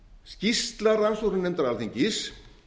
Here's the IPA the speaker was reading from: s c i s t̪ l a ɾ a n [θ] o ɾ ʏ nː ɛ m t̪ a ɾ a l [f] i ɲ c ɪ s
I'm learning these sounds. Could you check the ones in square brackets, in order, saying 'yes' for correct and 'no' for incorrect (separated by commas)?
no, no